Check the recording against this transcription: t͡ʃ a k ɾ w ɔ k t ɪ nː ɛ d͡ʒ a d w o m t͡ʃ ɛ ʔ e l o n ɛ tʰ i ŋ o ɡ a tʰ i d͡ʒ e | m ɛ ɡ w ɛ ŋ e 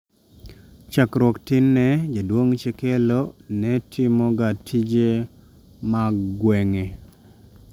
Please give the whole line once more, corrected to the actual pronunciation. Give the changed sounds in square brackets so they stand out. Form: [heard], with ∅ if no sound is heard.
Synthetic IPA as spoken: t͡ʃ a k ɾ w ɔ k t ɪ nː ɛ d͡ʒ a d w o [ŋ] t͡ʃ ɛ [k] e l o n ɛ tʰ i [m] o ɡ a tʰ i d͡ʒ e | m [a] ɡ w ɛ ŋ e